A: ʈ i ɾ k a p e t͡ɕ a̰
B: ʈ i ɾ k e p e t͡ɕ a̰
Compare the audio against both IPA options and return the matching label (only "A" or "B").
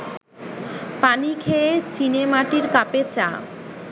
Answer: A